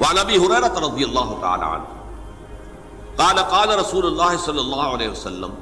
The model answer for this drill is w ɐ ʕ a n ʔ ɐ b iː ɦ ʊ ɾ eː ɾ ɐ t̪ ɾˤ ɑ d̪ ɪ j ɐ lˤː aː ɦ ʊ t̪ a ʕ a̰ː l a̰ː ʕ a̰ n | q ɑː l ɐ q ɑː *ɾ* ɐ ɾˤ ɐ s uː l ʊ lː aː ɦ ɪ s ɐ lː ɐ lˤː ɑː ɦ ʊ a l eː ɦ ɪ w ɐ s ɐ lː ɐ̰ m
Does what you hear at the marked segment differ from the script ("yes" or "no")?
yes